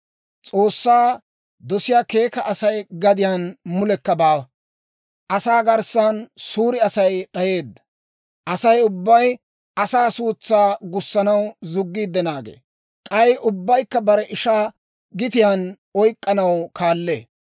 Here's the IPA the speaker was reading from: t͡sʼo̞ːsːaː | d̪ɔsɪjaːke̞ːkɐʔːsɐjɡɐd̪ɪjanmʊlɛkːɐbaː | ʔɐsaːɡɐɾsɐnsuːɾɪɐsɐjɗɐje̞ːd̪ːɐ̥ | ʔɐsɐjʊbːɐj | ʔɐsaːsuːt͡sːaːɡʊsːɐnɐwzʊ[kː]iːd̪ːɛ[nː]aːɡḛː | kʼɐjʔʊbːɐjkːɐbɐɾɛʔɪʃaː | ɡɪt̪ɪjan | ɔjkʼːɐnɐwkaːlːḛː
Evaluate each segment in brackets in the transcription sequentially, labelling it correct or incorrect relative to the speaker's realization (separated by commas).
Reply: incorrect, incorrect